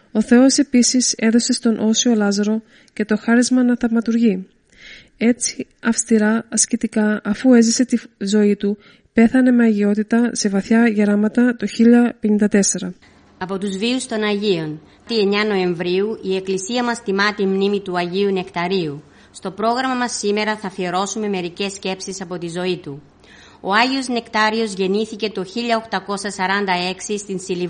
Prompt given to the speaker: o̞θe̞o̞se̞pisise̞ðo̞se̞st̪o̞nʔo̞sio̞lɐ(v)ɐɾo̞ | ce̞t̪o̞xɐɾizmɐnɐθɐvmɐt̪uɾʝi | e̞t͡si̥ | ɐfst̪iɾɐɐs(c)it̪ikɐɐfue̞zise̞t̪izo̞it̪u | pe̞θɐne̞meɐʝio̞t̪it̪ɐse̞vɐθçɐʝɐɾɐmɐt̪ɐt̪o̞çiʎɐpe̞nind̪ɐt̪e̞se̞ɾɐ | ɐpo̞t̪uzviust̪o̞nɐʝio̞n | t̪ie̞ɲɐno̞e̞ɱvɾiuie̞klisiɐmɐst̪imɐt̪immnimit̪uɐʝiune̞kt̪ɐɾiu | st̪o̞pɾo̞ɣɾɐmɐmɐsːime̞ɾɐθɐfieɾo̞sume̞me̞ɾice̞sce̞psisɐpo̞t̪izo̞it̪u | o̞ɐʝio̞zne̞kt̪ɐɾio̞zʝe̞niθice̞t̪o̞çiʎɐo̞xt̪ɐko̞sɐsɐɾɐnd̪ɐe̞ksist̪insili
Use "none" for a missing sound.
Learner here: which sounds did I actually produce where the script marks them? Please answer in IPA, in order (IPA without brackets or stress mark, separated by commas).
z, c